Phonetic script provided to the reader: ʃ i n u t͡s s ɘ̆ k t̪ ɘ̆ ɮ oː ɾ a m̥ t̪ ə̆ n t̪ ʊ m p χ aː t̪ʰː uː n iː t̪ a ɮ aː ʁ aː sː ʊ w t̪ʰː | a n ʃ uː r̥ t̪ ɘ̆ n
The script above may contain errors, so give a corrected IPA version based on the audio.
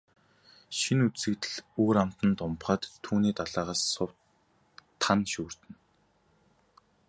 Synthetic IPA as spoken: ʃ i n u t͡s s ɘ̆ k t̪ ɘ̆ ɮ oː ɾ a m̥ t̪ ə̆ n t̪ ʊ m p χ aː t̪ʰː uː n iː t̪ a ɮ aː ʁ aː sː ʊ w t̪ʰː | a n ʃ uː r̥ t̪ ɘ̆ n